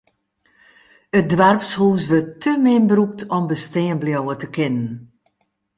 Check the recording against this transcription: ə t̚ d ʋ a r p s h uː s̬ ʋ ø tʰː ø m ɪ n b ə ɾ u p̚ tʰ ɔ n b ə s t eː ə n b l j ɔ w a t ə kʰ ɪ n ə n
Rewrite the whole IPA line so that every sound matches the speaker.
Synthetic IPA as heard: ə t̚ d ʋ a r p s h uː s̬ ʋ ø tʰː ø m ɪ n b ə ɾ u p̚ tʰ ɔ m b ə s t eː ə n b l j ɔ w ə t ə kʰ ɪ n ə n